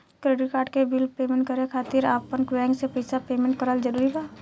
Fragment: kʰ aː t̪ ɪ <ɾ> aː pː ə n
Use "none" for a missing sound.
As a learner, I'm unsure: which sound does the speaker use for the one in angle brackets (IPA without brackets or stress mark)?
ɾ